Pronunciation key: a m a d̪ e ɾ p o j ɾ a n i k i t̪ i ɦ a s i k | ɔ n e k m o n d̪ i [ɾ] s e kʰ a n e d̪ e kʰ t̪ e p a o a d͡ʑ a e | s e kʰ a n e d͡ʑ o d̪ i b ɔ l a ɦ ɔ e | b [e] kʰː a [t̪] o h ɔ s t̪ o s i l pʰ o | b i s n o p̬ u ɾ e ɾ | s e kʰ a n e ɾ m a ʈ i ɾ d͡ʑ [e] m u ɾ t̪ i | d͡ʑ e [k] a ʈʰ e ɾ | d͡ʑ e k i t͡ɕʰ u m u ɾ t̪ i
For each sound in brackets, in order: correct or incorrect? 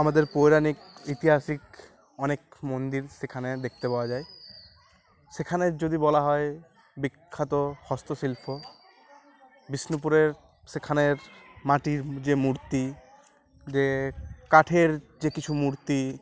correct, incorrect, correct, correct, correct

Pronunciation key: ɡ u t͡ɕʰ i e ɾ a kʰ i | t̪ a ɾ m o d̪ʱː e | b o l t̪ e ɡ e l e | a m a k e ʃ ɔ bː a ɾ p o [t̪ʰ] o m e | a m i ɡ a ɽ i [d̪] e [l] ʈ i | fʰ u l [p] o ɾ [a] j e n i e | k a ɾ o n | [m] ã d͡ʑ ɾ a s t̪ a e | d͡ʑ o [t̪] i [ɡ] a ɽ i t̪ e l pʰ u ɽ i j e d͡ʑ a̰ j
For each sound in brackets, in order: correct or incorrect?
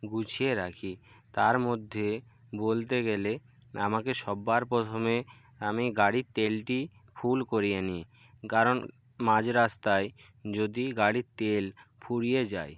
correct, incorrect, correct, incorrect, incorrect, correct, incorrect, correct

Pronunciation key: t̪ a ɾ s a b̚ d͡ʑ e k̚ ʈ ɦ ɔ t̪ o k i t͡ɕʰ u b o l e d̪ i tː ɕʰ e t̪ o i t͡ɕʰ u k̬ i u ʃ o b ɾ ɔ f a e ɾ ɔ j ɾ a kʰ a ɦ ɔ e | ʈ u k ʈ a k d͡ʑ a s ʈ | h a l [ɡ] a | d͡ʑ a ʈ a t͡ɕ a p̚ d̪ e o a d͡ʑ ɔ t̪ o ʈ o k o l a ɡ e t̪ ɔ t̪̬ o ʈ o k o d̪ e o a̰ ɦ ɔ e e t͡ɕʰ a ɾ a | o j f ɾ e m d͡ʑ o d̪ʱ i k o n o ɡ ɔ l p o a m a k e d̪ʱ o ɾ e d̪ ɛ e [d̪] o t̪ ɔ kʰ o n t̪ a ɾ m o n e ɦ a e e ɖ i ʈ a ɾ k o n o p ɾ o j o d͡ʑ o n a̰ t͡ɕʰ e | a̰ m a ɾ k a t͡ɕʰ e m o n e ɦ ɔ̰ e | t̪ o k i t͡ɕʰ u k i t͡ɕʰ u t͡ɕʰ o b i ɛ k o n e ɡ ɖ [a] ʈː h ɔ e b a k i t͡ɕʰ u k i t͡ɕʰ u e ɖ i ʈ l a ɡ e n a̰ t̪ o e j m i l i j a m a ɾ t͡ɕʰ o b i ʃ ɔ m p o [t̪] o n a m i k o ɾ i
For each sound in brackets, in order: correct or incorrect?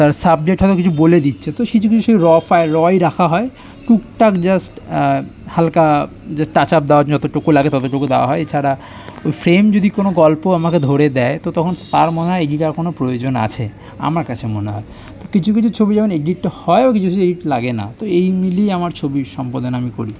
incorrect, incorrect, incorrect, incorrect

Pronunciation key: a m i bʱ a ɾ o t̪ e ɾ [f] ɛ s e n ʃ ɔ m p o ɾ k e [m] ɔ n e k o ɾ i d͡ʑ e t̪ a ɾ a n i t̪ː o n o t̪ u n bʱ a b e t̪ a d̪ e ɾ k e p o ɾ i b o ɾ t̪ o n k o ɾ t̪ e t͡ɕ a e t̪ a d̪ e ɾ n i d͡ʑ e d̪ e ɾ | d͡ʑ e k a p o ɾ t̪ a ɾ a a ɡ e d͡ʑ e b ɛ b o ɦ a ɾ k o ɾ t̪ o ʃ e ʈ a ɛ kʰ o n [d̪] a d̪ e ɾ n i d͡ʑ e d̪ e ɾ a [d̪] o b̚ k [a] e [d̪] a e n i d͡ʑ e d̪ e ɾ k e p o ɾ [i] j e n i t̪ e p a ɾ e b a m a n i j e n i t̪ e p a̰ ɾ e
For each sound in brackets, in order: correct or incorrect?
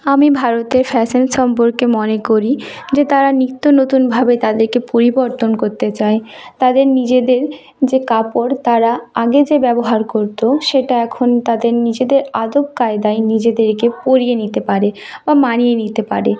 correct, correct, incorrect, correct, correct, correct, correct

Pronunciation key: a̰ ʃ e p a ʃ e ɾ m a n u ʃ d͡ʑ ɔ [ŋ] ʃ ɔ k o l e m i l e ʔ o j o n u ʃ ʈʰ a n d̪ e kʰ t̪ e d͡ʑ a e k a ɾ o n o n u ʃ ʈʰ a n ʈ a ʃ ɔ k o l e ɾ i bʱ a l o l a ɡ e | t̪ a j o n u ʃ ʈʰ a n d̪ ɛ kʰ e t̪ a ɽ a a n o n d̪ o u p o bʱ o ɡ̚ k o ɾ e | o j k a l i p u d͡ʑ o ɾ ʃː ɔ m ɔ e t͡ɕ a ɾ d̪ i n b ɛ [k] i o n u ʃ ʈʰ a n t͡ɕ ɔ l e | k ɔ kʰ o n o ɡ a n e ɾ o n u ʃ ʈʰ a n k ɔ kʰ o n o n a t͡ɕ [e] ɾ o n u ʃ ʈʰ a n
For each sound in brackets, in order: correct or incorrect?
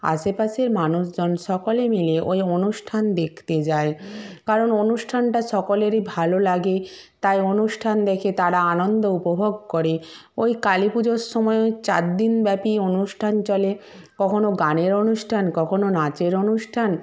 incorrect, incorrect, correct

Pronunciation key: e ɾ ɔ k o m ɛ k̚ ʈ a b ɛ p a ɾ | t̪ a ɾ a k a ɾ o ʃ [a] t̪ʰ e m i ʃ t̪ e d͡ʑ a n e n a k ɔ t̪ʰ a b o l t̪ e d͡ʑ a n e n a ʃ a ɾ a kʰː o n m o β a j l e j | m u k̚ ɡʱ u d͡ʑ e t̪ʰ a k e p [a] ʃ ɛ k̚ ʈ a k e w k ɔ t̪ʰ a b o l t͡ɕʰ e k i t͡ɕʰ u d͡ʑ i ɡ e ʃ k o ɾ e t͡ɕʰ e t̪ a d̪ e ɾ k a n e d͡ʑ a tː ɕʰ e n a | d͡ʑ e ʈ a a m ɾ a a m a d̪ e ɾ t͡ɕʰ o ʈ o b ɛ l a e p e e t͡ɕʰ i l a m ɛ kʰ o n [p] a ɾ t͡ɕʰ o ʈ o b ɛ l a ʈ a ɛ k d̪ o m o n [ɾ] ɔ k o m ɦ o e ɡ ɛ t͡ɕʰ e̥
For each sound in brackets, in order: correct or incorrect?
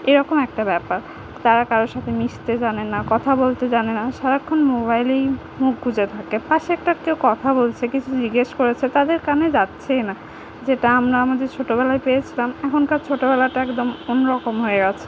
correct, correct, incorrect, correct

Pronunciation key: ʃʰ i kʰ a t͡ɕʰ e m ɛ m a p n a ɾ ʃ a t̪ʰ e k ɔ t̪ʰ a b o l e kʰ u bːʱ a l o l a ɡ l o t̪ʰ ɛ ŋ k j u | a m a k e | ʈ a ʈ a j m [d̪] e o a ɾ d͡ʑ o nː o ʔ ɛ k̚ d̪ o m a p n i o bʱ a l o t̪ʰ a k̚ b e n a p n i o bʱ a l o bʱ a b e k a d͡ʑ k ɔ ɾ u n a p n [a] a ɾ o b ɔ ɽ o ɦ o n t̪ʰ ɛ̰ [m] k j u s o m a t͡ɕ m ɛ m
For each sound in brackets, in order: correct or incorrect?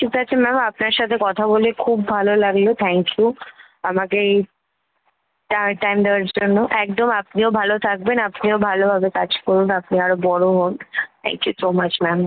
correct, incorrect, incorrect

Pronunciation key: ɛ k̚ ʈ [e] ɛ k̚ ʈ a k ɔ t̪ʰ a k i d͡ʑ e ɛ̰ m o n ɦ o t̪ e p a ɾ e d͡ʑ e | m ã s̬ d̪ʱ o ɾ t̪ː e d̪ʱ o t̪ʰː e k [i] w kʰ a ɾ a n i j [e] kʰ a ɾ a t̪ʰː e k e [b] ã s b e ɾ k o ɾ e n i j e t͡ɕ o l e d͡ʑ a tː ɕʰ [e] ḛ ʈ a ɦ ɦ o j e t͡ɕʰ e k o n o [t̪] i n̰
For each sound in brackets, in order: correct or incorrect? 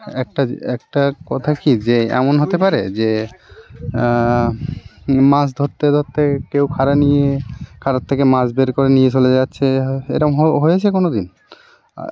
incorrect, incorrect, correct, incorrect, correct, incorrect

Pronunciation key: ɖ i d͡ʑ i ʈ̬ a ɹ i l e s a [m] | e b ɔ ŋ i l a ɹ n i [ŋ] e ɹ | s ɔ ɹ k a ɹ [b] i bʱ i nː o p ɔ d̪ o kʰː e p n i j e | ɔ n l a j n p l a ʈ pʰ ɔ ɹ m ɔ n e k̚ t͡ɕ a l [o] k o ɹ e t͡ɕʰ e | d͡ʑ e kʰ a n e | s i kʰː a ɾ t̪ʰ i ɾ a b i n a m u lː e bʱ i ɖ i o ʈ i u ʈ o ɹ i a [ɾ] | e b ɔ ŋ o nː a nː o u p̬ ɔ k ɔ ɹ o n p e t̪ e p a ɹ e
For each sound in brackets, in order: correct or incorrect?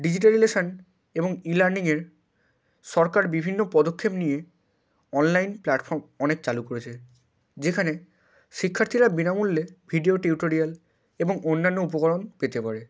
incorrect, correct, correct, incorrect, incorrect

